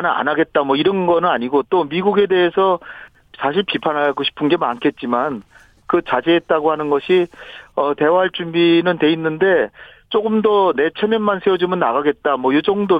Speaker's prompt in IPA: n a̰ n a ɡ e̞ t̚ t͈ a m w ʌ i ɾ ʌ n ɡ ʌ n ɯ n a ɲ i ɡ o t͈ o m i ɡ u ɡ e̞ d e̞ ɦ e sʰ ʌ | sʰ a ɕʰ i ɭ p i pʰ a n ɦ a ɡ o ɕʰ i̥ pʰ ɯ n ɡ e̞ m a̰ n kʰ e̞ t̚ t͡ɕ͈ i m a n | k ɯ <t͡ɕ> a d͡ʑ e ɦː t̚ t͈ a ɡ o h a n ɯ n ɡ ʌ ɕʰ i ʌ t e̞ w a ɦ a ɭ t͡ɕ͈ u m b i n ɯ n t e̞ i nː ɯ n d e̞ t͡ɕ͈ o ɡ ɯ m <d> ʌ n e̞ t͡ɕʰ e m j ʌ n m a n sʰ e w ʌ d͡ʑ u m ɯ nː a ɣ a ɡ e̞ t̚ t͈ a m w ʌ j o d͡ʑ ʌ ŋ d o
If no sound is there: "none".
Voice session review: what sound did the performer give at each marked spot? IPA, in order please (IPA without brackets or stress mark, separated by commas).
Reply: t͡ɕ, d